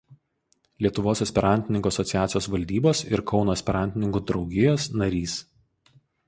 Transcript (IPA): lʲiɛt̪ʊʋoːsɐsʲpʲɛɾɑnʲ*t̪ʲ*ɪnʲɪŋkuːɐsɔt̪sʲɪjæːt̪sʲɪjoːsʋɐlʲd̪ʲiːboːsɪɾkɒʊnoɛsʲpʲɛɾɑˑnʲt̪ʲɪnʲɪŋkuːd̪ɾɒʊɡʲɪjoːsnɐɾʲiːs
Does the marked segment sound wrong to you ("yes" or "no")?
no